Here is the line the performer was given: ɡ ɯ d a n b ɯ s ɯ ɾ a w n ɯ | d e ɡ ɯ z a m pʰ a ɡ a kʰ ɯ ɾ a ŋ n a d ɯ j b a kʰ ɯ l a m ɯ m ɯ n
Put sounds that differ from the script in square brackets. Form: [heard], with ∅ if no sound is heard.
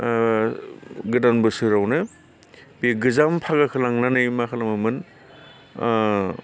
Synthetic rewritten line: ɡ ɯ d a n b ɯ s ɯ ɾ a w n ɯ | [b] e ɡ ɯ z a m pʰ a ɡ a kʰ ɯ [l] a ŋ n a [n] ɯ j [m] a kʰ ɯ l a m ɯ m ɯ n